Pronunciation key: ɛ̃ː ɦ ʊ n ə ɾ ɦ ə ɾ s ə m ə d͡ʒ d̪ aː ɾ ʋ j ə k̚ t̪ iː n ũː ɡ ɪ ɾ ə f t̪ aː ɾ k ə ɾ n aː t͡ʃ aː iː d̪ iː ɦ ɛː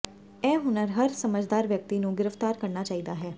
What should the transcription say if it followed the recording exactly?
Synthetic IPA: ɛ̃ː ɦ ʊ n ə ɾ ɦ ə ɾ s ə m ə d͡ʒ d̪ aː ɾ ʋ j ə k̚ t̪ iː n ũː ɡ ɪ ɾ ə f t̪ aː ɾ k ə ɾ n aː t͡ʃ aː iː d̪ aː ɦ ɛː